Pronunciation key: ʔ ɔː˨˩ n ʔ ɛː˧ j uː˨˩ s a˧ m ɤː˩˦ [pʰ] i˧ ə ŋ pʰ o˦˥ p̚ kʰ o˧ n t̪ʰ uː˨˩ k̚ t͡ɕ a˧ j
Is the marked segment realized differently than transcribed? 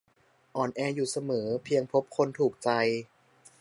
no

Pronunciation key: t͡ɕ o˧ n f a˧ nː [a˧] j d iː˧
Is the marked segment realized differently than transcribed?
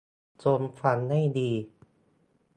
yes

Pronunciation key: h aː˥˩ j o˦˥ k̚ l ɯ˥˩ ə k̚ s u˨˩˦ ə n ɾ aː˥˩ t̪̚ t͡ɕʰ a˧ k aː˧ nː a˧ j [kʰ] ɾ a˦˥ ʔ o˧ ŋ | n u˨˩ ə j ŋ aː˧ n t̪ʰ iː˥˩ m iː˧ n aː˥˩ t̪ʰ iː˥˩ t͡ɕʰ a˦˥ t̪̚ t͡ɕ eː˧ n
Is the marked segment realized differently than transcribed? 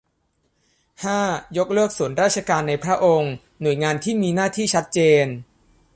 yes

